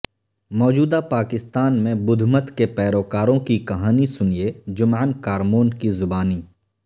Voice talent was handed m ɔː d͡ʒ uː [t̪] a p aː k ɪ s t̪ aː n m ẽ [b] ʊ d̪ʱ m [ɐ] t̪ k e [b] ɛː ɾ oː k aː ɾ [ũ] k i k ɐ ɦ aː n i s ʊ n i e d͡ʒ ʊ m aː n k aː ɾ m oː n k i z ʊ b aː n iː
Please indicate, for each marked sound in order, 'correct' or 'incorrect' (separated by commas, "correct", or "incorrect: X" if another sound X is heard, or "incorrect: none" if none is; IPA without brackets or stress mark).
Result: incorrect: d̪, correct, incorrect: ə, incorrect: p, incorrect: õ